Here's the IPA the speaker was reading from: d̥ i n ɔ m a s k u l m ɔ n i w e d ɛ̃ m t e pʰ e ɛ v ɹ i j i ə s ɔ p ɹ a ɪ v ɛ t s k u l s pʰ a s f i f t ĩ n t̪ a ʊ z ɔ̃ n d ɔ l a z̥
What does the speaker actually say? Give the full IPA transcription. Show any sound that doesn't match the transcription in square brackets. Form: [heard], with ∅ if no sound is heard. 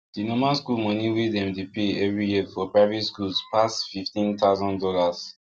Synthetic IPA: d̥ i n ɔ m a s k u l m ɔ n i w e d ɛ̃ m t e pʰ e ɛ v ɹ i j i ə [f] ɔ p ɹ a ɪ v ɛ t s k u l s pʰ a s f i f t ĩ n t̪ a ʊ z ɔ̃ n d ɔ l a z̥